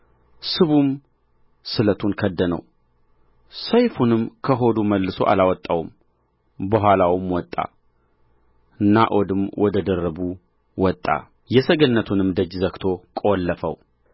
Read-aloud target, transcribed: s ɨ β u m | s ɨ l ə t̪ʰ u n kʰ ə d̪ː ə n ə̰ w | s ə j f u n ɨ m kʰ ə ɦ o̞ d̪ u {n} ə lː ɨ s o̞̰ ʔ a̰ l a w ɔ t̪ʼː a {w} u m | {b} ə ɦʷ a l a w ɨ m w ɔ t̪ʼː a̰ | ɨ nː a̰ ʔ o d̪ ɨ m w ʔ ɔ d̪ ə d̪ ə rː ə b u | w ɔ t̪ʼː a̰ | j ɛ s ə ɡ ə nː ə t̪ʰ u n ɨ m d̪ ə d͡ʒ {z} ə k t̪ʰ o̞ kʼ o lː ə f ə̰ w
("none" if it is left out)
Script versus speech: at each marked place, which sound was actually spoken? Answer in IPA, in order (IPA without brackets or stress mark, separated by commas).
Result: m, w, b, z